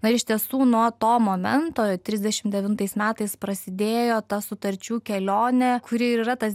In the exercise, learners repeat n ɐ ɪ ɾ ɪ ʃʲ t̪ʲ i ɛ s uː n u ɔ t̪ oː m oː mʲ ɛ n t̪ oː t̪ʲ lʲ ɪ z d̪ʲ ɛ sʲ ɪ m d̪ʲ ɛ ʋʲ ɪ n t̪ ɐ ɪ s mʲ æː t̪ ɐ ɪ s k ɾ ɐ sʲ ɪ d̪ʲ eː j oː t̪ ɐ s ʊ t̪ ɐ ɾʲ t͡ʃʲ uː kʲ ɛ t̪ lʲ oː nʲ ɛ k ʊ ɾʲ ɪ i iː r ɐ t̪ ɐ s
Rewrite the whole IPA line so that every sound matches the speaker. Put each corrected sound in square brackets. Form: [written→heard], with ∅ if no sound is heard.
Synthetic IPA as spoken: n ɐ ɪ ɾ ɪ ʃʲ t̪ʲ i ɛ s uː n u ɔ t̪ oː m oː mʲ ɛ n t̪ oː t̪ʲ [lʲ→ɾʲ] ɪ z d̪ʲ ɛ [sʲ→ʃʲ] ɪ m d̪ʲ ɛ ʋʲ ɪ n t̪ ɐ ɪ s mʲ æː t̪ ɐ ɪ s [k→p] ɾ ɐ sʲ ɪ d̪ʲ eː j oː t̪ ɐ s ʊ t̪ ɐ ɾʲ t͡ʃʲ uː kʲ ɛ [t̪→∅] lʲ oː nʲ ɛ k ʊ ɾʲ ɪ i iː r ɐ t̪ ɐ s